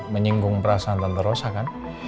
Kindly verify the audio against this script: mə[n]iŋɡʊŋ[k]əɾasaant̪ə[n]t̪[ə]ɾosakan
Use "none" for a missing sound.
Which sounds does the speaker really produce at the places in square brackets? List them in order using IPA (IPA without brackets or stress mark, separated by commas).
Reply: ɲ, p, n, ə